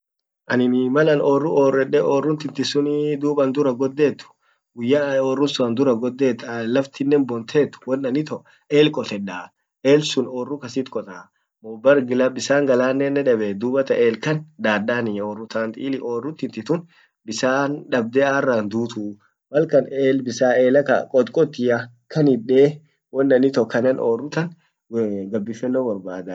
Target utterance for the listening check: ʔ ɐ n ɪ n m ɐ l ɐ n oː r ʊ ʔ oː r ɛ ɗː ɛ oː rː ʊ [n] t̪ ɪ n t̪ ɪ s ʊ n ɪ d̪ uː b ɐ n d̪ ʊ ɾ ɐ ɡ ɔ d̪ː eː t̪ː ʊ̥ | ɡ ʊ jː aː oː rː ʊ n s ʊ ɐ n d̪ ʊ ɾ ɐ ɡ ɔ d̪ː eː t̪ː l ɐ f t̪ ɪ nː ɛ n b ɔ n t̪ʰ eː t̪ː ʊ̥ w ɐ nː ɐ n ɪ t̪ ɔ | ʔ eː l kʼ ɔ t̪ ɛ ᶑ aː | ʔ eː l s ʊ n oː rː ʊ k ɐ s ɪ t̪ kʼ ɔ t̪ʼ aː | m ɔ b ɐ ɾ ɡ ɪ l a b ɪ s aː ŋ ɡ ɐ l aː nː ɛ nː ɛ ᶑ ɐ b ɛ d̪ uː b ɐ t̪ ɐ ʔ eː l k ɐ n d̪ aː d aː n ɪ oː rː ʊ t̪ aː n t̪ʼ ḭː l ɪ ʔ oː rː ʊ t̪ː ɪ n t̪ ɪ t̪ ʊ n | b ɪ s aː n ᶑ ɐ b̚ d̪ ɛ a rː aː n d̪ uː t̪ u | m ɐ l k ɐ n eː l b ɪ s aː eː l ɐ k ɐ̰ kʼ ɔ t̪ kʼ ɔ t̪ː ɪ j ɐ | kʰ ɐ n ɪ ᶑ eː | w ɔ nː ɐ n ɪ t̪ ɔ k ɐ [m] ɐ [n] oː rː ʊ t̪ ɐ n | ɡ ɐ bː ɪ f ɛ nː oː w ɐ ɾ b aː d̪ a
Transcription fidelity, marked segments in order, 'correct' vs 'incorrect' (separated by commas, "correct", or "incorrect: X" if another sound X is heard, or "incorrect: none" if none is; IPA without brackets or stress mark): correct, incorrect: n, correct